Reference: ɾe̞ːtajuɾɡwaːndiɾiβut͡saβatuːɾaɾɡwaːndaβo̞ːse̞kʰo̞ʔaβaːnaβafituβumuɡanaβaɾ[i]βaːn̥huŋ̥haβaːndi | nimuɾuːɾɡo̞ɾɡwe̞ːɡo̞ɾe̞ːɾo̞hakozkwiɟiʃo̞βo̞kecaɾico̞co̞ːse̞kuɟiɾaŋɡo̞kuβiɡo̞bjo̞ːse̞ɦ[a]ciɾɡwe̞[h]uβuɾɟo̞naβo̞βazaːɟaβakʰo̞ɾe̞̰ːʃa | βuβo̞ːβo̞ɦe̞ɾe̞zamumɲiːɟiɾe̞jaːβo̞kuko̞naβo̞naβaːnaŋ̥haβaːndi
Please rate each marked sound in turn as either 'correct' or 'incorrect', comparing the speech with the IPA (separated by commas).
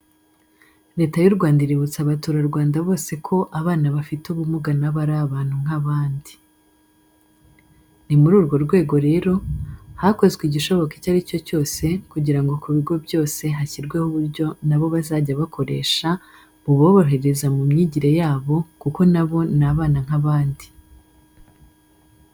incorrect, correct, correct